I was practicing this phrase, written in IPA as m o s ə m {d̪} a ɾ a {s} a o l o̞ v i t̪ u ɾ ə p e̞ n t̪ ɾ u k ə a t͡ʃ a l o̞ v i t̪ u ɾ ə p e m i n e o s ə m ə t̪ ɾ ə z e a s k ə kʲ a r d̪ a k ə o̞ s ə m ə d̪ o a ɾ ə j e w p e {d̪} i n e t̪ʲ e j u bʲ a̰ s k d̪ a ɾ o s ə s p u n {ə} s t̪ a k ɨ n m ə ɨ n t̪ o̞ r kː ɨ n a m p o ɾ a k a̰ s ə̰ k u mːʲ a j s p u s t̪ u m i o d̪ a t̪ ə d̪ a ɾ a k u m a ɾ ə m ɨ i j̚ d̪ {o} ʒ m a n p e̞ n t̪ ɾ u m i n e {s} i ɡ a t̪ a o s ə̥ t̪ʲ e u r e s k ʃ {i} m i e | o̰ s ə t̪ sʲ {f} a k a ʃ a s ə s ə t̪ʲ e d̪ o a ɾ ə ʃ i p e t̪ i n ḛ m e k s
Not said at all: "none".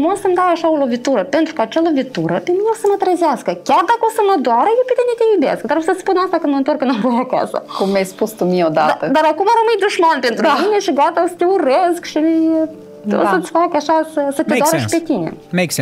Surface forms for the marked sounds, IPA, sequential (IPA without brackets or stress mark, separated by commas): d̪, ʃ, t̪, a, u, ʃ, i, f